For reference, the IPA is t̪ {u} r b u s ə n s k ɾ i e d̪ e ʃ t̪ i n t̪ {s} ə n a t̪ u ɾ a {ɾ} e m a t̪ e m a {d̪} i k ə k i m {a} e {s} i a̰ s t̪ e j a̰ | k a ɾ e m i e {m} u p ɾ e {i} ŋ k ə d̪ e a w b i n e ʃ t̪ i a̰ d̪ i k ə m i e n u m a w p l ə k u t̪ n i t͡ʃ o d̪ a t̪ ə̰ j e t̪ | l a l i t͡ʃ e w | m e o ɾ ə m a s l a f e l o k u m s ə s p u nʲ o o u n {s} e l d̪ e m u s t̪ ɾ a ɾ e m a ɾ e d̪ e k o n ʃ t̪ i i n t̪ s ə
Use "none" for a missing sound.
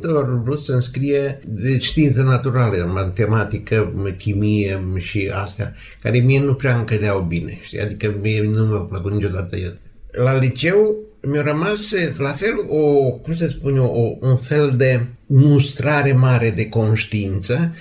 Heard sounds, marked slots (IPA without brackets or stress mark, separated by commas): o, s, l, t̪, i, ʃ, n, a, f